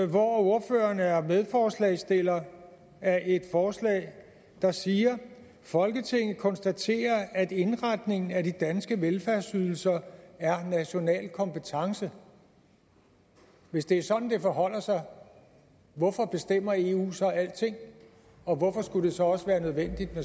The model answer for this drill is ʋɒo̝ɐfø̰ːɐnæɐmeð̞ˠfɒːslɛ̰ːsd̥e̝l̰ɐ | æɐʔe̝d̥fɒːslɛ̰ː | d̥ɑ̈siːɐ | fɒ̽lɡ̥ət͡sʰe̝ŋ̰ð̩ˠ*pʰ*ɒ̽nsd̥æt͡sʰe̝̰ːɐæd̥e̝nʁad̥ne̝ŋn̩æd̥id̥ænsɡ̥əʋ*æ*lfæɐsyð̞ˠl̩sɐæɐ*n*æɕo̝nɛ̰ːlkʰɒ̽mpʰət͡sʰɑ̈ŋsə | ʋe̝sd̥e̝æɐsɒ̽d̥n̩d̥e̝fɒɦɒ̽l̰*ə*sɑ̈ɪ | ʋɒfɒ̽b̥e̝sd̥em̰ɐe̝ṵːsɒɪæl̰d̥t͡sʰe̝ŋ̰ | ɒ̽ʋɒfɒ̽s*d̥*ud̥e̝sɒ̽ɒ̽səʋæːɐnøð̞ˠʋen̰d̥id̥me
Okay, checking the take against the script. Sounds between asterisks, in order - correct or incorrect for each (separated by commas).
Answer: incorrect, incorrect, correct, incorrect, incorrect